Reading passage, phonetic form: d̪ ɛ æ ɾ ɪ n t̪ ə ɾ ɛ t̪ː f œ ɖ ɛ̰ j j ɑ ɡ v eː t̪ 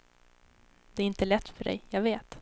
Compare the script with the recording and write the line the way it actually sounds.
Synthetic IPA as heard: d̪ ɛ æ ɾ ɪ n t̪ ə l ɛ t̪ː f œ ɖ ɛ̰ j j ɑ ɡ v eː t̪

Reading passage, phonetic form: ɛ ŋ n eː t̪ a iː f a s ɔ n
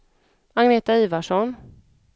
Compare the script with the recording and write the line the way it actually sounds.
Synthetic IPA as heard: a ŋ n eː t̪ a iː v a ʂ ɔ n

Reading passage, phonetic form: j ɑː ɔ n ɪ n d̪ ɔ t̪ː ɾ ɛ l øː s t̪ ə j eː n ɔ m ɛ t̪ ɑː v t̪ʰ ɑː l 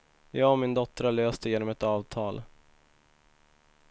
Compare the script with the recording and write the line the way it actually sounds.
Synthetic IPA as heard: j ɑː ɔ m ɪ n d̪ ɔ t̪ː ɾ a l øː s t̪ ə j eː n ɔ m ɛ t̪ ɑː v t̪ʰ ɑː l

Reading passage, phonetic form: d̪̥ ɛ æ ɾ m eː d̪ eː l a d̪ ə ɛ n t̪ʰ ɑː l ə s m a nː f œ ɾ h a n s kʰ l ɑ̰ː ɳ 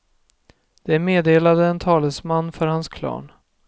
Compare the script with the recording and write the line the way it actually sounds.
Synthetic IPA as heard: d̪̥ ɛ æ ɾ m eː d̪ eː l a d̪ ə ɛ n t̪ʰ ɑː l ə s m a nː f œ ɾ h a n s kʰ l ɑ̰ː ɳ

